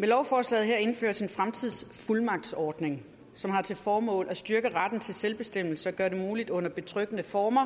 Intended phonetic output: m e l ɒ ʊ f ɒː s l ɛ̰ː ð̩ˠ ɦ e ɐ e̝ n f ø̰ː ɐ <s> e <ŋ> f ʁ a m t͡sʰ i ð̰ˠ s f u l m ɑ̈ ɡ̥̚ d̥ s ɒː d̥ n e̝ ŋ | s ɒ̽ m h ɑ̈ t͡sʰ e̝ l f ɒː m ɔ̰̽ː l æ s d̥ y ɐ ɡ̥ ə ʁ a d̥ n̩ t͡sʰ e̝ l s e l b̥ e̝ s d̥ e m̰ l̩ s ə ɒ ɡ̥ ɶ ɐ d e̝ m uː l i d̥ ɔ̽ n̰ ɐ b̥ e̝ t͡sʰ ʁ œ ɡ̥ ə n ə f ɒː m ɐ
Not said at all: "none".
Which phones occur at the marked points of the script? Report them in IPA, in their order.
s, n

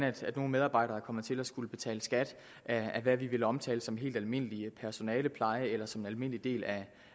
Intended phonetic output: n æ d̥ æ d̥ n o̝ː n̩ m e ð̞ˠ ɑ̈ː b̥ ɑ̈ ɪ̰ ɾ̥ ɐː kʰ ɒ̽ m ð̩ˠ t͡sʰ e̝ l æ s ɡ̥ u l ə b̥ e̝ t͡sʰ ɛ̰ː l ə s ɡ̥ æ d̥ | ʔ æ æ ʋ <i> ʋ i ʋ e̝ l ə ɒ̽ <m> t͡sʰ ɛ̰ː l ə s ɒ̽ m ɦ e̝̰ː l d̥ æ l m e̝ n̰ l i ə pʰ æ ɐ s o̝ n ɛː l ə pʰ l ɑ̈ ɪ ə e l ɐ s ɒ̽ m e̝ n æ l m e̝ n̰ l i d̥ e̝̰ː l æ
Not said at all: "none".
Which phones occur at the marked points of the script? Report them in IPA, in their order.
æ, m

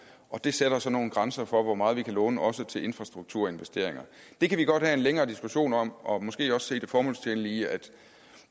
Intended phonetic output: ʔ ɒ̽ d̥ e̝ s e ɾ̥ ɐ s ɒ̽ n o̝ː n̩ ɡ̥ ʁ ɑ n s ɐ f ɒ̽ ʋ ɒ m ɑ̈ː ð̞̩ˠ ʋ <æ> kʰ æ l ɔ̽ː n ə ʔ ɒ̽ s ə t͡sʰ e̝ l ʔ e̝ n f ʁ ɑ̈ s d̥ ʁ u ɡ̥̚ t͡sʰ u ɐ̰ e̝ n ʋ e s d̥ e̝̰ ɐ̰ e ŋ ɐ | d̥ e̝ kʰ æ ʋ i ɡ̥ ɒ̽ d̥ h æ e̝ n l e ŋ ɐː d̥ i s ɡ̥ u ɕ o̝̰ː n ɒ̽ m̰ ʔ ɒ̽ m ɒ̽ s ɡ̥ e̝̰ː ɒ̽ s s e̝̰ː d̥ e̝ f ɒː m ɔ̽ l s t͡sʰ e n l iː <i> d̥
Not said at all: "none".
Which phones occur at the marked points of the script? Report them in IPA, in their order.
i, æ

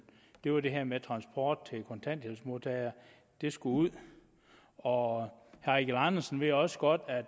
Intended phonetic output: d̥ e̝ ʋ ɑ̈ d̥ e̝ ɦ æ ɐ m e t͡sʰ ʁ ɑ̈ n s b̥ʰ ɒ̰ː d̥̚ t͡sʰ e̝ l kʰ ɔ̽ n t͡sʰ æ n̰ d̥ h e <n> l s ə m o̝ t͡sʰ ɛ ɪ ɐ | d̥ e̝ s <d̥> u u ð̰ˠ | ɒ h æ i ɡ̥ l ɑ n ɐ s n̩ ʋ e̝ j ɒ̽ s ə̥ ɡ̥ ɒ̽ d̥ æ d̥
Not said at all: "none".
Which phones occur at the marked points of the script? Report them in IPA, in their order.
none, ɡ̥

